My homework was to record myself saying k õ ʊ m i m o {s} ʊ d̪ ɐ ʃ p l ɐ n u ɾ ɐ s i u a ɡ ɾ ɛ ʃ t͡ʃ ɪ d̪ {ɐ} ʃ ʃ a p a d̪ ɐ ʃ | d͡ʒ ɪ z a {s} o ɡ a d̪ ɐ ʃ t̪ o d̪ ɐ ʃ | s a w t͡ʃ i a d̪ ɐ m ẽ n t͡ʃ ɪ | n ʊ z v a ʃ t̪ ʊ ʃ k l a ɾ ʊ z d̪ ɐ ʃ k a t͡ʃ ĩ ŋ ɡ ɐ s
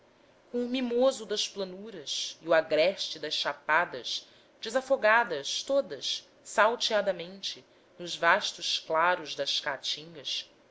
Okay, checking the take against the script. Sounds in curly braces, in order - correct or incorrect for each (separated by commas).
incorrect, correct, incorrect